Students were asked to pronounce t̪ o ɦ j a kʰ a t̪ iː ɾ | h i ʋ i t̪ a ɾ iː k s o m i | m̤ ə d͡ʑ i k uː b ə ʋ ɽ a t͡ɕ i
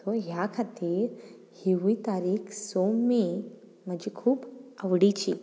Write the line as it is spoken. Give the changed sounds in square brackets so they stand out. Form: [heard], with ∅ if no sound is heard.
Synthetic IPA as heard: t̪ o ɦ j a kʰ a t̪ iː ɾ | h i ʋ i t̪ a ɾ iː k s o m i | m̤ ə d͡ʑ i [kʰ] uː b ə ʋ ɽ [i] t͡ɕ i